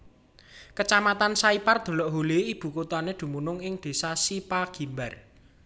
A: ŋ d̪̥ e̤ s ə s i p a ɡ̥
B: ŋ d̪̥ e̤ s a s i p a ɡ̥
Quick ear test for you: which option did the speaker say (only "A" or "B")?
B